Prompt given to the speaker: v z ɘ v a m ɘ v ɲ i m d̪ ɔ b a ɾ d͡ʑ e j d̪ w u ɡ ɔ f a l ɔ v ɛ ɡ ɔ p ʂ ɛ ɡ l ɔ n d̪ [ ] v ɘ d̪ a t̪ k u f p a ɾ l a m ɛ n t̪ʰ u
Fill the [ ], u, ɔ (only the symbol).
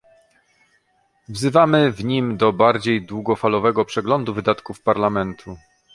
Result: u